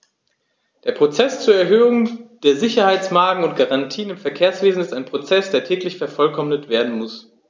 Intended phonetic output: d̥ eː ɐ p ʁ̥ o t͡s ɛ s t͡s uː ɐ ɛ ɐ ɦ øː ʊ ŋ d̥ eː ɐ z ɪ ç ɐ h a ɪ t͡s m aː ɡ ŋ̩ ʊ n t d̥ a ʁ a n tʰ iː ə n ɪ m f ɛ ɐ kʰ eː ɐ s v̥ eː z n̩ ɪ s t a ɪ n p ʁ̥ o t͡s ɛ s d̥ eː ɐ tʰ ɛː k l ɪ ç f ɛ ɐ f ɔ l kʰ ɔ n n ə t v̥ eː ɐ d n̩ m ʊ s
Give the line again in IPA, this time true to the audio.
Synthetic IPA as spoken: d̥ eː ɐ p ʁ̥ o t͡s ɛ s t͡s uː ɐ ɛ ɐ ɦ øː ʊ ŋ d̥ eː ɐ z ɪ ç ɐ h a ɪ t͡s m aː ɡ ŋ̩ ʊ n t ɡ̥ a ʁ a n tʰ iː ə n ɪ m f ɛ ɐ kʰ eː ɐ s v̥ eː z n̩ ɪ s t a ɪ n p ʁ̥ o t͡s ɛ s d̥ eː ɐ tʰ ɛː k l ɪ ç f ɛ ɐ f ɔ l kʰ ɔ m n ə t v̥ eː ɐ d n̩ m ʊ s